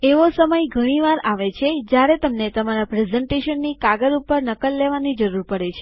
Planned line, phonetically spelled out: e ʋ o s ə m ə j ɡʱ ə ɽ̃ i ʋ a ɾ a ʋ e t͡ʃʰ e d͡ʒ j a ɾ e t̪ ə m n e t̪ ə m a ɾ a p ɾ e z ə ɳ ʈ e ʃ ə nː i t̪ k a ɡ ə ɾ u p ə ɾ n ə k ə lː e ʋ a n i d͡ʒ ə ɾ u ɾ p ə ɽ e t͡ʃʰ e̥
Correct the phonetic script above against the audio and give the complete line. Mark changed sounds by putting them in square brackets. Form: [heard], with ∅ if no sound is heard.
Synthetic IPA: e ʋ o s ə m ə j ɡʱ ə ɽ̃ i ʋ a ɾ a ʋ e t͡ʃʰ e d͡ʒ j a ɾ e t̪ ə m n e t̪ ə m a ɾ a p ɾ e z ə ɳ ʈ e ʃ ə nː i [∅] k a ɡ ə ɾ u p ə ɾ n ə k ə lː e ʋ a n i d͡ʒ ə ɾ u ɾ p ə ɽ e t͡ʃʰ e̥